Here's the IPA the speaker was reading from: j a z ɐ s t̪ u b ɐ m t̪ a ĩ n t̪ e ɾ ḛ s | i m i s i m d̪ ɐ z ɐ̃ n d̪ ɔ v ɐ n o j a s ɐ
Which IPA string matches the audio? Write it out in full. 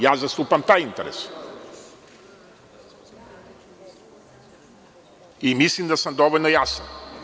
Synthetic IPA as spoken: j a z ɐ s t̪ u p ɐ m t̪ a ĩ n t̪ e ɾ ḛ s | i m i s i n d̪ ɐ s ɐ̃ n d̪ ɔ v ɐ n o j a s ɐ